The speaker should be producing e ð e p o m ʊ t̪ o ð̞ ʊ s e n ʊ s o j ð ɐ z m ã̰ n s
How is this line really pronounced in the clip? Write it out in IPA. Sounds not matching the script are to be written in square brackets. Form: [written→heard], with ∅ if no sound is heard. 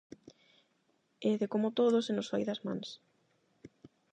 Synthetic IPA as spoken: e ð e [p→k] o m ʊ t̪ o ð̞ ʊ s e n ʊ s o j ð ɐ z m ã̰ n s